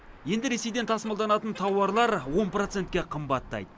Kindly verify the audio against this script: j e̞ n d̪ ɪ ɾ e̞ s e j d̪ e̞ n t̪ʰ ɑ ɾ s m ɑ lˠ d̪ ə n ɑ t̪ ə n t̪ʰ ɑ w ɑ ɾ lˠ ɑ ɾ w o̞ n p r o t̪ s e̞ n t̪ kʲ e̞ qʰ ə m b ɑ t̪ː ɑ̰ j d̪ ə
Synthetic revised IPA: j e̞ n d̪ ɪ ɾ e̞ s e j d̪ e̞ n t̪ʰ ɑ s m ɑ lˠ d̪ ɑ n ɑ t̪ ə n t̪ʰ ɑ w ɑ ɾ lˠ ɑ ɾ w o̞ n p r o t̪ s e̞ n t̪ kʲ e̞ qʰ ə m b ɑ t̪ː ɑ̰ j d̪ ə